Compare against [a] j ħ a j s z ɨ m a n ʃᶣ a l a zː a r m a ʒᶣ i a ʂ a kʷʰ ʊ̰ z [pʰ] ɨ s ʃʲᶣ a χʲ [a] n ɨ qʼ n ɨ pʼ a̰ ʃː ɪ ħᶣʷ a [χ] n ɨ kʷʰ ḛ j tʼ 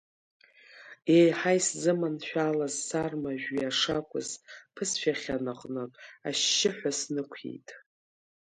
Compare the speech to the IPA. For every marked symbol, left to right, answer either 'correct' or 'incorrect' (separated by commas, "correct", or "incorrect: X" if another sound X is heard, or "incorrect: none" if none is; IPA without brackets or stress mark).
incorrect: e, correct, correct, incorrect: s